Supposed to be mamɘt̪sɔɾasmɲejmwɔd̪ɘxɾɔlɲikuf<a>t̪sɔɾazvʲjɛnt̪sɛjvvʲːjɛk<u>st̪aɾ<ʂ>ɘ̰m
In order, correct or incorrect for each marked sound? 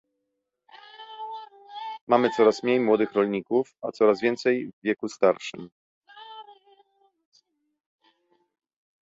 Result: correct, correct, correct

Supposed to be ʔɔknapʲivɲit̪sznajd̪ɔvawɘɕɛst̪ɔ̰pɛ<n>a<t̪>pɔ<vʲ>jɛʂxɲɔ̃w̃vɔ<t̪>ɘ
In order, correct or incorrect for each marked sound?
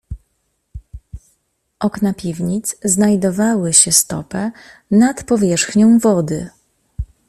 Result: correct, correct, correct, incorrect

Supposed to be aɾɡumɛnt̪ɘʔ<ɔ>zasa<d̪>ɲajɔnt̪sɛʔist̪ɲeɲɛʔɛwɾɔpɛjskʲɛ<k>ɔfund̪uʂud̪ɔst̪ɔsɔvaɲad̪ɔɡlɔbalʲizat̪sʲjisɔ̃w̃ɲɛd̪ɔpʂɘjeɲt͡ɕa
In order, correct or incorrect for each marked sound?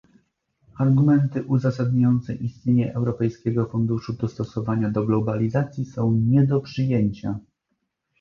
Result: incorrect, correct, incorrect

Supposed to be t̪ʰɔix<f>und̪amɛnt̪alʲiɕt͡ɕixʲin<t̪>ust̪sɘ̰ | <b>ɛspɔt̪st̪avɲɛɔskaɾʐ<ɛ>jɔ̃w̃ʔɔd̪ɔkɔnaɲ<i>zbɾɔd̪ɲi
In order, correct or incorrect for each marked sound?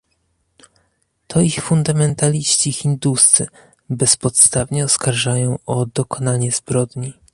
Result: correct, incorrect, correct, incorrect, incorrect

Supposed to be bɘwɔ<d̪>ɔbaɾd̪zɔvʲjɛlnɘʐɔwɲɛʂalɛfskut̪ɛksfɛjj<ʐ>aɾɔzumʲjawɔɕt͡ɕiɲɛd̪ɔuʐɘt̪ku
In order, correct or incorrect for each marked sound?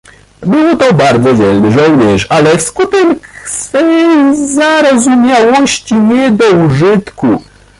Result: incorrect, incorrect

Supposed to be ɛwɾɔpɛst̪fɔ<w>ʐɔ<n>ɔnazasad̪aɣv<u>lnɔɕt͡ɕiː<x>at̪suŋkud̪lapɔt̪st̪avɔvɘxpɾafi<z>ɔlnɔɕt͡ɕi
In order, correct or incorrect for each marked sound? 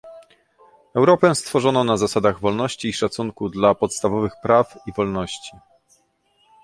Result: incorrect, correct, incorrect, incorrect, incorrect

